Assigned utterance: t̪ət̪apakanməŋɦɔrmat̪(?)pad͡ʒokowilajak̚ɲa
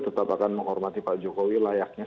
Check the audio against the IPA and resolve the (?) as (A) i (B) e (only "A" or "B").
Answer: A